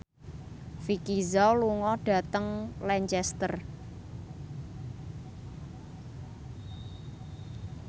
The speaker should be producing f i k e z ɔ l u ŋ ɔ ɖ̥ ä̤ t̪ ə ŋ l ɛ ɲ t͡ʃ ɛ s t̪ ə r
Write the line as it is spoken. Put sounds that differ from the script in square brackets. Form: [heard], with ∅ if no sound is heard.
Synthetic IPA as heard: f i k [i] z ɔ l u ŋ ɔ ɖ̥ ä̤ t̪ ə ŋ l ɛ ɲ t͡ʃ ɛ s t̪ ə r